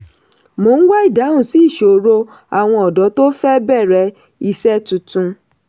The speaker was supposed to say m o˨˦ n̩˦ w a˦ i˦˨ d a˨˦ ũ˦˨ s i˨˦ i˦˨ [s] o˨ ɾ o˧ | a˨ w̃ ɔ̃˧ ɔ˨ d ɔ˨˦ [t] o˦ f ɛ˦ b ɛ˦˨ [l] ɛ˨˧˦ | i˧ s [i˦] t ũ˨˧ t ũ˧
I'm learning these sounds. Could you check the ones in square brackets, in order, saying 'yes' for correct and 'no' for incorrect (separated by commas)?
no, yes, no, no